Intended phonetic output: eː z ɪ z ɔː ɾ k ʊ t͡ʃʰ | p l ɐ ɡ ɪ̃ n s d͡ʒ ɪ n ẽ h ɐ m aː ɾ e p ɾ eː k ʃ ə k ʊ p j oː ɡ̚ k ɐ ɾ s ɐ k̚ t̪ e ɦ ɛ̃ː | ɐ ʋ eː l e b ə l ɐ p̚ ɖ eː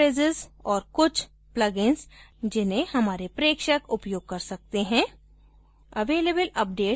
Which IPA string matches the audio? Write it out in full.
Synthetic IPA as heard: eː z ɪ z ɔː ɾ k ʊ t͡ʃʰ | p l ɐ ɡ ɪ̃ n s d͡ʒ ɪ n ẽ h ɐ m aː ɾ e p ɾ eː k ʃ ə k ʊ p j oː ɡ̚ k ɐ ɾ s ɐ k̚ t̪ e ɦ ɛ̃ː | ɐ ʋ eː l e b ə l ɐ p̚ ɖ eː